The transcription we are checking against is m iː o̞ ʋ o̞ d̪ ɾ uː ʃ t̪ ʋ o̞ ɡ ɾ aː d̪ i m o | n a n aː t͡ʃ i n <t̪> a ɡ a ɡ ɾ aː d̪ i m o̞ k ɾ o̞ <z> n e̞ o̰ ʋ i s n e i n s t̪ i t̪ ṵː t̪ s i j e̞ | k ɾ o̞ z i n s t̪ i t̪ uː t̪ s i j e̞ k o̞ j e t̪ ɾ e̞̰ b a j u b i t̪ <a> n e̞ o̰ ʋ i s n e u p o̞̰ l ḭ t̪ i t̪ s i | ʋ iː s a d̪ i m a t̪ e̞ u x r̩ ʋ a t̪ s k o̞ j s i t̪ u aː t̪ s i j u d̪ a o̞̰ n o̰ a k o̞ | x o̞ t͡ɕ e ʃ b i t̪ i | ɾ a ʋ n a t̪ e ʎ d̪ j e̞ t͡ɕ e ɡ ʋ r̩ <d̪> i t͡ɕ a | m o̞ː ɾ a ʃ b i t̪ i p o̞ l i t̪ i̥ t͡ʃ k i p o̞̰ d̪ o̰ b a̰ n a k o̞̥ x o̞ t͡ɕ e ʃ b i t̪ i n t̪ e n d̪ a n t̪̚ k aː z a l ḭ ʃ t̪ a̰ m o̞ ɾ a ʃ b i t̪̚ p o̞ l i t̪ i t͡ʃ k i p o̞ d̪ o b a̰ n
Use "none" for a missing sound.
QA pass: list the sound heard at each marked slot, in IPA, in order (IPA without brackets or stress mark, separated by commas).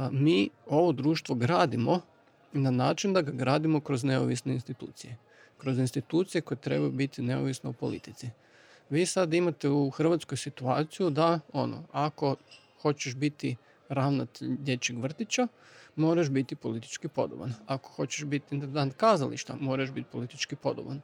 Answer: d̪, z, i, t̪